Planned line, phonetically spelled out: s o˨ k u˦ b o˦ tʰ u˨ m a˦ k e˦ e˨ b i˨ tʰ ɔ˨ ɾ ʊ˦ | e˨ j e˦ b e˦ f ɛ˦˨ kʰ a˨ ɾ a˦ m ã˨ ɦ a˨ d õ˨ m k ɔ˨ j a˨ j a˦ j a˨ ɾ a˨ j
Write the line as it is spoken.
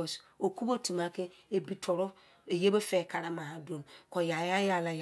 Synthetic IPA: s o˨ k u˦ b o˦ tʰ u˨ m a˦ k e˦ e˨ b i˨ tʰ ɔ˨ ɾ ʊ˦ | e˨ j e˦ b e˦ f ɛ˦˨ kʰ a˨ ɾ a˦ m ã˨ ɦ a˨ d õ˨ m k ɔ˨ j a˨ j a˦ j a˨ l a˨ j